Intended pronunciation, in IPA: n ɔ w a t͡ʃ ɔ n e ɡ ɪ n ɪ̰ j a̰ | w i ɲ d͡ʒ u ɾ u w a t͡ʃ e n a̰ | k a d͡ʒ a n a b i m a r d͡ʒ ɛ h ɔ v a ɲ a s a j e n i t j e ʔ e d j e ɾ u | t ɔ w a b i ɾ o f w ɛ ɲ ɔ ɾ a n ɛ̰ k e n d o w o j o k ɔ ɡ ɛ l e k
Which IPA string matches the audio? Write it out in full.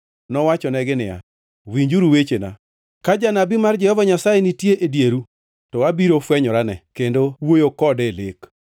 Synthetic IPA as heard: n ɔ w a t͡ʃ ɔ n ɛ ɡ ɪ n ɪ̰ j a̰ | w i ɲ d͡ʒ u ɾ u w e t͡ʃ e n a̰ | k a d͡ʒ a n a b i m a r d͡ʒ ɛ h ɔ v a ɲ a s a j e n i t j e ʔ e d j e ɾ u | t ɔ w a b i ɾ o f w ɛ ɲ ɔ ɾ a n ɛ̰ k e n d o w o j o k ɔ d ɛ l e k